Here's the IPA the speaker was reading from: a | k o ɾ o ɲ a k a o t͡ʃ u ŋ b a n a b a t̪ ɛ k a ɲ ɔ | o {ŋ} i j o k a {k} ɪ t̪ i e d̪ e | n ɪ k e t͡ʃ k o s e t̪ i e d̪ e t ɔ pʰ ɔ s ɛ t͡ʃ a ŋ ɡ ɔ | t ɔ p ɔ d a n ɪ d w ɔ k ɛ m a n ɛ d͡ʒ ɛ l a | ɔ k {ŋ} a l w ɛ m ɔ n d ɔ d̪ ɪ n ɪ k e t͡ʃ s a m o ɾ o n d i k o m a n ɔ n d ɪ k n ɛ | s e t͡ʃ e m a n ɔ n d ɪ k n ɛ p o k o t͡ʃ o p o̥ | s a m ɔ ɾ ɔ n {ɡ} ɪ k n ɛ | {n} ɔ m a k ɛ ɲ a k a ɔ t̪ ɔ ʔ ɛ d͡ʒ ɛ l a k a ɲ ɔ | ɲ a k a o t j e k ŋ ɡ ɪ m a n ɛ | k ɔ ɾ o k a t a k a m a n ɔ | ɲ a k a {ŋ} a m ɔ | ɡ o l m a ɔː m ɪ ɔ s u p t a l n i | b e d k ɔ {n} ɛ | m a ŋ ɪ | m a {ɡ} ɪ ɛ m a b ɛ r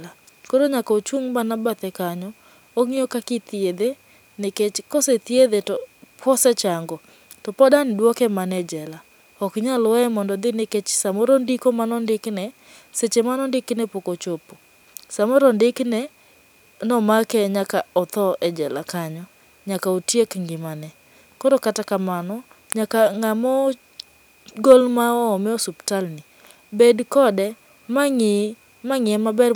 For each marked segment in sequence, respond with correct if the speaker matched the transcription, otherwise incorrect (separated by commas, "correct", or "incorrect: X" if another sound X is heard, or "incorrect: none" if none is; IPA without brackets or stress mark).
correct, correct, incorrect: ɲ, incorrect: d, correct, correct, incorrect: d, incorrect: ŋ